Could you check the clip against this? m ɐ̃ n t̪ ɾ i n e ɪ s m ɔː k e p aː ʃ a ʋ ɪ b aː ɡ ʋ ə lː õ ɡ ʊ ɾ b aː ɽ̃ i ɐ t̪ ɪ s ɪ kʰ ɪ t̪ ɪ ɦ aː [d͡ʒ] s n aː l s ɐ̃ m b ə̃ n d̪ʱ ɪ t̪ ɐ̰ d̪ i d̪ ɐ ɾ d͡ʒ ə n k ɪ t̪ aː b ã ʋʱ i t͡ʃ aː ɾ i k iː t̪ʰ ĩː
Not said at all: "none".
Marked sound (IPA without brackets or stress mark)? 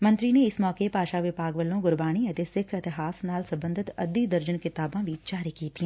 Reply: none